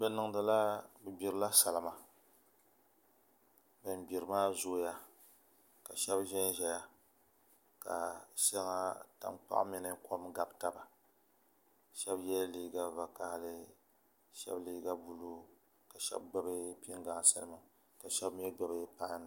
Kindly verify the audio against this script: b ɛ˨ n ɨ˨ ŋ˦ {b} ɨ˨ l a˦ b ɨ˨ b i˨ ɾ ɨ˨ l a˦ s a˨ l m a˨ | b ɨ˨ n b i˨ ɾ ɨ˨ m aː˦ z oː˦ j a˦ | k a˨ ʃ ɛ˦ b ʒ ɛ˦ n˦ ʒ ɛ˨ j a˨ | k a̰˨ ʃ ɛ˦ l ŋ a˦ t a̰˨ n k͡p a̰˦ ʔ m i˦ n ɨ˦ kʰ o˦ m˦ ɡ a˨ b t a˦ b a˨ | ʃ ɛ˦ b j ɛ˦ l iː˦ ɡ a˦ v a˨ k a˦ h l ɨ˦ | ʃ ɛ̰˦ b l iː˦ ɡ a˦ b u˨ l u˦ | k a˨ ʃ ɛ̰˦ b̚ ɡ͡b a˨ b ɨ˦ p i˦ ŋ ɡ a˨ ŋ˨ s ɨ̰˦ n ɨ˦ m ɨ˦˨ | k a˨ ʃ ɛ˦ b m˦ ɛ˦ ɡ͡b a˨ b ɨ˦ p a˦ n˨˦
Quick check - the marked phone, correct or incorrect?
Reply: incorrect